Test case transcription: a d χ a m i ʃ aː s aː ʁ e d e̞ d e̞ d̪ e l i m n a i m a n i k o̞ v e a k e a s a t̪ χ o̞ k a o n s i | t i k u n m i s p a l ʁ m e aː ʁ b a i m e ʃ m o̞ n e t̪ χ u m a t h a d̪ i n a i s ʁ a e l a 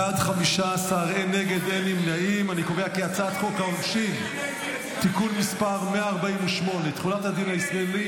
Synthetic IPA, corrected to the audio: a d χ a m i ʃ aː s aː ʁ e n e̞ ɡ e̞ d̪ e l i m n a i m a n i k o̞ v e a k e a t͡s a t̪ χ o̞ k a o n ʃ i | t i k u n m i s p a ʁ m e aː ʁ b a i m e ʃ m o̞ n e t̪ χ u n a t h a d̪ i n a i s ʁ a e l i